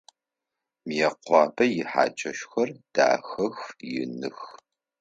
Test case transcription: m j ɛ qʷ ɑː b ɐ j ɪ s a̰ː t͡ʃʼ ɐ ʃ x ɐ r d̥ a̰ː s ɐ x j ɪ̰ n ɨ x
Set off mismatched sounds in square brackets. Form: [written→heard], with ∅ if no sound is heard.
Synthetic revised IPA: m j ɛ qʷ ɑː b ɐ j ɪ [s→ħ] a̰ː t͡ʃʼ ɐ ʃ x ɐ r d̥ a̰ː [s→x] ɐ x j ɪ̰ n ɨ x